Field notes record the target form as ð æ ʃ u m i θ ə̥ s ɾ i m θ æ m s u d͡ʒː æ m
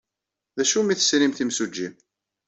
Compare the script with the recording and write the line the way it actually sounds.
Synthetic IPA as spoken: ð æ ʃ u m i θ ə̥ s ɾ i m θ i m s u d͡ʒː i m